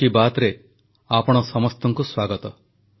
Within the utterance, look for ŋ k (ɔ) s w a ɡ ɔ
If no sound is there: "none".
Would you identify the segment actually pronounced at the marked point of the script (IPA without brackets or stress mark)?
u